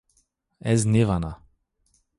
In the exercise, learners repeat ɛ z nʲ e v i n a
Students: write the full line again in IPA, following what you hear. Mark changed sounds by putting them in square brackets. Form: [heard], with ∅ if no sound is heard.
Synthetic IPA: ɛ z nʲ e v [a] n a